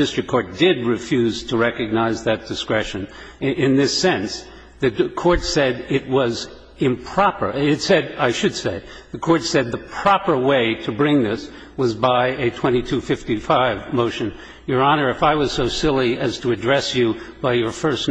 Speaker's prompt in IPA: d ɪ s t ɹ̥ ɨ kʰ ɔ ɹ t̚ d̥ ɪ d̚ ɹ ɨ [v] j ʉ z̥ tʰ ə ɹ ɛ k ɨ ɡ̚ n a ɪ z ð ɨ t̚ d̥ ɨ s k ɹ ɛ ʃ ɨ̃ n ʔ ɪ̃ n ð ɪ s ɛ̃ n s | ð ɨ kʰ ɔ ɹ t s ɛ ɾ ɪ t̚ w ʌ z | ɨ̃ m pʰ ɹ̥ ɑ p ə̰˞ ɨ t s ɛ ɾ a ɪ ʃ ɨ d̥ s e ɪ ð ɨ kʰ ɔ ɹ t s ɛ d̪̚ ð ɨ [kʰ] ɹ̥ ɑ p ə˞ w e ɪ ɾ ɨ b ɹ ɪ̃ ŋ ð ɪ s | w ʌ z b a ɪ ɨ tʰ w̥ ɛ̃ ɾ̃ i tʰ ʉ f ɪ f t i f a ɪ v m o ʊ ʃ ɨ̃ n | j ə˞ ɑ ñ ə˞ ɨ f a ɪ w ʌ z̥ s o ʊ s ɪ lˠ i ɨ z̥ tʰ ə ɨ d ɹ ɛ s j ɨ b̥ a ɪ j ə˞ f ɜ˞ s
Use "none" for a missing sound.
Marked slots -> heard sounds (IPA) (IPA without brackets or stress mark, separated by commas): f, pʰ